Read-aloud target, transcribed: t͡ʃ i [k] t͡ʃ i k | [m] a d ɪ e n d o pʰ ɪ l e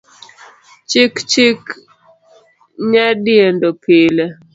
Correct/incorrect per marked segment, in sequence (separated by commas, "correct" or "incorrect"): correct, incorrect